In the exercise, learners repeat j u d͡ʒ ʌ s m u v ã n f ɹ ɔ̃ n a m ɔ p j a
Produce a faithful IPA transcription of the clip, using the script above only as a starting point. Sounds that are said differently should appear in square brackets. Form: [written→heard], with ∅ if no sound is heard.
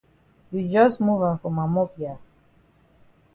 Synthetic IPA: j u d͡ʒ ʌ s m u v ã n f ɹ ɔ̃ [n→m] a m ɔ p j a